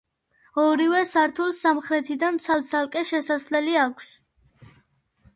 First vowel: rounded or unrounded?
rounded